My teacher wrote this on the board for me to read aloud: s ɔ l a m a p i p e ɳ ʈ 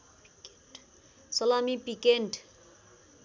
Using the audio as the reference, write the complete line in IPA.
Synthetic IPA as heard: s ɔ l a m i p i k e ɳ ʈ